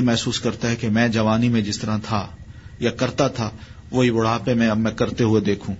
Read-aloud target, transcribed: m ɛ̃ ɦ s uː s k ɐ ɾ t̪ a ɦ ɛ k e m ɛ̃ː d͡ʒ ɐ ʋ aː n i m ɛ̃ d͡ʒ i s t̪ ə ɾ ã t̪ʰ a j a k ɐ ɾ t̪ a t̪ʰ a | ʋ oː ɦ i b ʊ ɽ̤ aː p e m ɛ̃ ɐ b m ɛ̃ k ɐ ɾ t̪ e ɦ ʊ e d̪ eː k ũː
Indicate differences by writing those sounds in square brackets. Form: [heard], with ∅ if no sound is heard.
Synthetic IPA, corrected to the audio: m [ɛ] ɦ s uː s k ɐ ɾ t̪ a ɦ ɛ k e m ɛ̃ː d͡ʒ ɐ ʋ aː n i m [ẽ] d͡ʒ [ɪ] s t̪ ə ɾ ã t̪ʰ a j a k ɐ ɾ t̪ a t̪ʰ a | ʋ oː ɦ i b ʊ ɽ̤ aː p e m ɛ̃ ɐ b m ɛ̃ k ɐ ɾ t̪ e ɦ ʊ e d̪ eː [kʰ] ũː